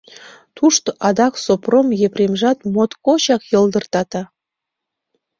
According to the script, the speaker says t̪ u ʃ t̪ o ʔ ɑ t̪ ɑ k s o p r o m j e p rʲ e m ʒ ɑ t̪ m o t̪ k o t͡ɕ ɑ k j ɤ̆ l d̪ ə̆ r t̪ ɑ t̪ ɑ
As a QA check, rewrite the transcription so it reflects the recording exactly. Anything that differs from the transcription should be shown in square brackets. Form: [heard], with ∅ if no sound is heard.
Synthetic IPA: t̪ u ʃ t̪ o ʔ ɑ [d̪] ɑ k s o p r o m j e p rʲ e m ʒ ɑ t̪ m o t̪ k o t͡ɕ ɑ k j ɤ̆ l d̪ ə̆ r t̪ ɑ t̪ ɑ